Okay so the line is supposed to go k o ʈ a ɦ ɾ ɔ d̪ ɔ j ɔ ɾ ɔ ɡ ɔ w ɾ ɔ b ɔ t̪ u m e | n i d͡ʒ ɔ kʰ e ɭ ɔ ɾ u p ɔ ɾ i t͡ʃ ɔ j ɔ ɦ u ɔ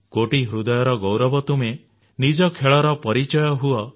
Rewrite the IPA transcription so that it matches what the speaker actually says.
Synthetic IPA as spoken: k o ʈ i ɦ ɾ u d̪ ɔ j ɔ ɾ ɔ ɡ ɔ w ɾ ɔ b ɔ t̪ u m e | n i d͡ʒ ɔ kʰ e ɭ ɔ ɾ ɔ p ɔ ɾ i t͡ʃ ɔ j ɔ ɦ u ɔ